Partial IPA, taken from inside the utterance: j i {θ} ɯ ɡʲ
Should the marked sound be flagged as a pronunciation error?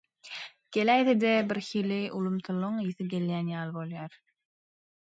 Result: no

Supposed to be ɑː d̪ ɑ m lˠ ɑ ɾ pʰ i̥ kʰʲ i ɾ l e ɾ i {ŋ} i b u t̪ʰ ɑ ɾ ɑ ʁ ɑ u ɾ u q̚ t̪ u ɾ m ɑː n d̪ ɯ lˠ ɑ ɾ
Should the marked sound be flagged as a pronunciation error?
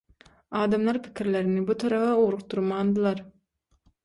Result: yes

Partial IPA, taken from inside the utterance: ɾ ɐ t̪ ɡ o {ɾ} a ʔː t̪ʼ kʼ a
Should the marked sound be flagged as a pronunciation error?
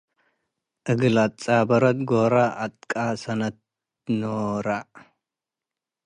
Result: no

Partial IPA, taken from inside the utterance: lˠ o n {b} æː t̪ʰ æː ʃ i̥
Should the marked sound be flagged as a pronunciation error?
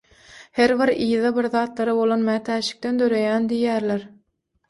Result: yes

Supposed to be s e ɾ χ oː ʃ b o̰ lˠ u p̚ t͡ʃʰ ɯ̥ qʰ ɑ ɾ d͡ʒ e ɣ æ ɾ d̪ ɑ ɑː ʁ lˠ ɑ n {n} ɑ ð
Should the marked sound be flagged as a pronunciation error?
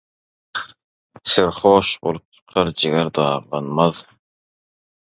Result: yes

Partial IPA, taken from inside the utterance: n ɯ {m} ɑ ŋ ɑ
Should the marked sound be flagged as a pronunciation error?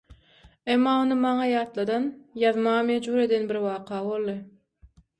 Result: no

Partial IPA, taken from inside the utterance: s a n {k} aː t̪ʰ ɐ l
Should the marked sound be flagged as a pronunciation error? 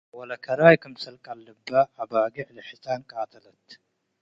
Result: yes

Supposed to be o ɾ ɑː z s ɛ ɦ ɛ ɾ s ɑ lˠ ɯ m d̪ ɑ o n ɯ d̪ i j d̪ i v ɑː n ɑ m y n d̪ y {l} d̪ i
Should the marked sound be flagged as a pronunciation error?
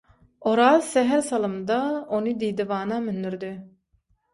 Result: yes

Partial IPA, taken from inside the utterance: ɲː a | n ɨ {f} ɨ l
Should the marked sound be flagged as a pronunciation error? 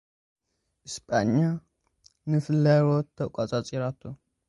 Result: no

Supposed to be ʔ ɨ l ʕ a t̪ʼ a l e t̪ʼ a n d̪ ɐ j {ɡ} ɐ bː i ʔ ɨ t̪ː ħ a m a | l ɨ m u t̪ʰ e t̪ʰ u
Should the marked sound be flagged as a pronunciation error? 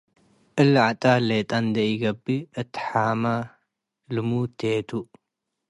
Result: no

